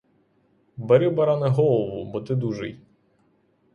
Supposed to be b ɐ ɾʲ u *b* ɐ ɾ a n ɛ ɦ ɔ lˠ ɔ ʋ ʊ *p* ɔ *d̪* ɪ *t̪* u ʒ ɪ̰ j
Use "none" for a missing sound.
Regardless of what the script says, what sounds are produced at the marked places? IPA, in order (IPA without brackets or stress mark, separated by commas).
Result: b, b, t̪, d̪